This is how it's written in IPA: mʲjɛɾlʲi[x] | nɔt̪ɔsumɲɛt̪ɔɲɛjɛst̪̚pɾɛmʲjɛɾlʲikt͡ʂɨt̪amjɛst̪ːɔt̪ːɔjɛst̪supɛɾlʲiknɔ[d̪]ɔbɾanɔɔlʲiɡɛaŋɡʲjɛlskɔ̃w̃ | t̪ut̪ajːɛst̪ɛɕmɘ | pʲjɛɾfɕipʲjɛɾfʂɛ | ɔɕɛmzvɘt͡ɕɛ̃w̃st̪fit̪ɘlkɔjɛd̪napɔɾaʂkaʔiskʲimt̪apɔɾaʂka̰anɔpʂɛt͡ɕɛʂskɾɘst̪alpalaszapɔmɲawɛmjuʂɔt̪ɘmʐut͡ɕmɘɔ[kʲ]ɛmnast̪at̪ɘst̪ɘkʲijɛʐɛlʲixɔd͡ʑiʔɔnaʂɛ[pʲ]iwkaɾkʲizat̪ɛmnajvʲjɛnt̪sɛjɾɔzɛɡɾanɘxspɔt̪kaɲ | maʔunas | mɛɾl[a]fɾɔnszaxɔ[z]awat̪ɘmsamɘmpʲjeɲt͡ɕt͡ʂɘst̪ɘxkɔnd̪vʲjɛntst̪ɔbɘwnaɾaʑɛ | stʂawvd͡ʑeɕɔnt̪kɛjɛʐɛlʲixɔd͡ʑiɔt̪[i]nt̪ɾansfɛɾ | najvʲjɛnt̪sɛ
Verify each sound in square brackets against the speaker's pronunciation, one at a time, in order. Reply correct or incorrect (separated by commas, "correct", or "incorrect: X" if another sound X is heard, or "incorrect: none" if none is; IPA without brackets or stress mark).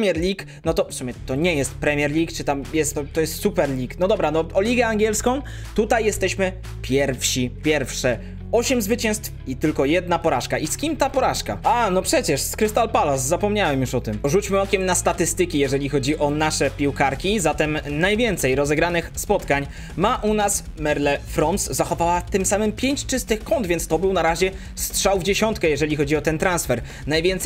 incorrect: k, correct, correct, correct, incorrect: ɛ, incorrect: v, incorrect: ɛ